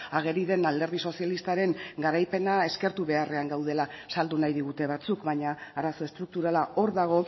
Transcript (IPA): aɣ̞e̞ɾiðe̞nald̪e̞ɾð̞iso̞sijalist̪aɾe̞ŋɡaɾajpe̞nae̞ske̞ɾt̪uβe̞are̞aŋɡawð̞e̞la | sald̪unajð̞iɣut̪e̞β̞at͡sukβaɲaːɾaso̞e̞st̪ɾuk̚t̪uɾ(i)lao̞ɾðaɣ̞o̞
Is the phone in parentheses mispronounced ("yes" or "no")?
yes